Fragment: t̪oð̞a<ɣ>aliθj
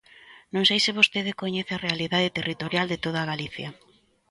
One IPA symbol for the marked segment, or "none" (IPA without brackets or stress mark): ɣ